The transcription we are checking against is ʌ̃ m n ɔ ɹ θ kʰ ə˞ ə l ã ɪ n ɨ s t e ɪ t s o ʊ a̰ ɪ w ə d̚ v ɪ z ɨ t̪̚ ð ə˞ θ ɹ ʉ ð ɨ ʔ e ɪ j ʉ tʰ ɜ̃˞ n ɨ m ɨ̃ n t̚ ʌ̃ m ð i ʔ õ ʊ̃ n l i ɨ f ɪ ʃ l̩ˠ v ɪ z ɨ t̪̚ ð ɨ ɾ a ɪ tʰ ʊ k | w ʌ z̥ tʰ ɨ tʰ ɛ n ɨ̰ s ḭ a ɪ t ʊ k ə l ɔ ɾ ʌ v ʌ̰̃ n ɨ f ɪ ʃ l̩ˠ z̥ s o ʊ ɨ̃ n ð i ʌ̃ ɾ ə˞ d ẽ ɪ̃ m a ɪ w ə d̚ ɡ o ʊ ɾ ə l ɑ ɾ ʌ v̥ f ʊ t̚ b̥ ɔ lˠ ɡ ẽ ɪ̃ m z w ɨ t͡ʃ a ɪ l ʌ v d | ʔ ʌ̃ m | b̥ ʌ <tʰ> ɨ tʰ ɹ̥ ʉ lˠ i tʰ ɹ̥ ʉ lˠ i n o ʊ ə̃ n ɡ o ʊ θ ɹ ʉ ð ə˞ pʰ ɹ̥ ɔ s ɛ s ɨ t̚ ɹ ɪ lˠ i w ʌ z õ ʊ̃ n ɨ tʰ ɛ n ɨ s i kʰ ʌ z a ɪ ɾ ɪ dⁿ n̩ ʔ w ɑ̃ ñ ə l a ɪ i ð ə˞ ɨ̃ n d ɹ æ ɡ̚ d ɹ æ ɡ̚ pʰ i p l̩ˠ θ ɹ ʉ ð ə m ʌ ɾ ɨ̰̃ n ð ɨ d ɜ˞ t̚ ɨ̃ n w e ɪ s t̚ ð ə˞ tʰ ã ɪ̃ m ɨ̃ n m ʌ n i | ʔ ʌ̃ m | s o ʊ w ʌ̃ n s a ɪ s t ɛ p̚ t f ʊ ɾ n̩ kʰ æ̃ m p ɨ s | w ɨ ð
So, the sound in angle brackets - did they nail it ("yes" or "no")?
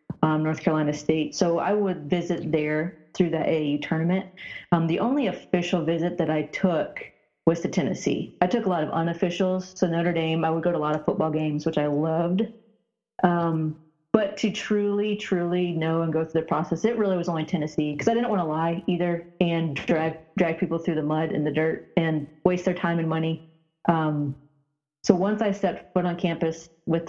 yes